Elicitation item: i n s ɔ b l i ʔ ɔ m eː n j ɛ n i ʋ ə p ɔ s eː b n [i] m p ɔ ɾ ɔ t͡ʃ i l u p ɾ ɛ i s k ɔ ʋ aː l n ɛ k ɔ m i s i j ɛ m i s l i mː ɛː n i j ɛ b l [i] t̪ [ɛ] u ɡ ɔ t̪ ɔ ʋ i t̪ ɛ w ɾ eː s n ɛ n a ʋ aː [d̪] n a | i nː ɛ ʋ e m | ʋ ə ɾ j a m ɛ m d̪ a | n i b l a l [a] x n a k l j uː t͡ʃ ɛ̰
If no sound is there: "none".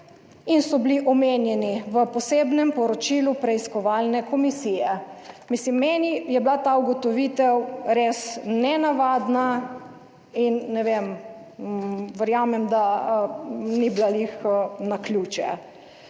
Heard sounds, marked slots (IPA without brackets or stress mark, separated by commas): ɛ, a, a, d̪, i